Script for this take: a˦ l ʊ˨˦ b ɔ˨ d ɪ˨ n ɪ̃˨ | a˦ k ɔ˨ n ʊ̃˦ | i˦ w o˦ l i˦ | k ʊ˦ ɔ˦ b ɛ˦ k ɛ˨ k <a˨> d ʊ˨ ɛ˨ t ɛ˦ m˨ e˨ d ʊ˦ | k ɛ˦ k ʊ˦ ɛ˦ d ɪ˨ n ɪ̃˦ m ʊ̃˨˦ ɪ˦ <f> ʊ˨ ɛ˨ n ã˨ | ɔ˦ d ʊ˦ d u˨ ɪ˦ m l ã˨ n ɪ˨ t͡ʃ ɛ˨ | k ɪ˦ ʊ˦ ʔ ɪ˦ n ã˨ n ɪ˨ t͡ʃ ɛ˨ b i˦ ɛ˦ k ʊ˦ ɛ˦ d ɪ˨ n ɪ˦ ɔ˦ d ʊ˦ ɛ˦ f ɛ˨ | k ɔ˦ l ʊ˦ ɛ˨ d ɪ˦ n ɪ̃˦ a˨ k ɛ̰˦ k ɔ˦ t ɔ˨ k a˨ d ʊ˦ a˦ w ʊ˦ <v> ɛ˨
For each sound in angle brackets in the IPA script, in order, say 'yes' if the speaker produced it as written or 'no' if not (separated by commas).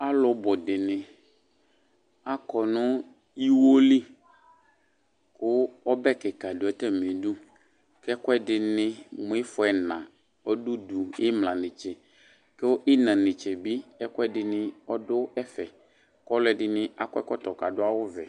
yes, yes, yes